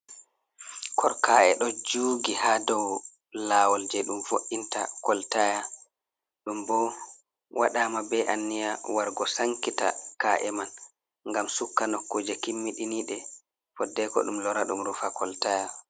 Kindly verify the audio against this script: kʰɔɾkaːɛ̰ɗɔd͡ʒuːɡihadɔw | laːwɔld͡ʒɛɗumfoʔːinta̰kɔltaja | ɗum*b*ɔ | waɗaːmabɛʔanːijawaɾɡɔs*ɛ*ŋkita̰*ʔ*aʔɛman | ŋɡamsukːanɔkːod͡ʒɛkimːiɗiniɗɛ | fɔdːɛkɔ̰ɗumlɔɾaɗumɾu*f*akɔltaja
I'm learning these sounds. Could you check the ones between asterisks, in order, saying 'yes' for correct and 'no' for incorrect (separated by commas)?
yes, no, no, yes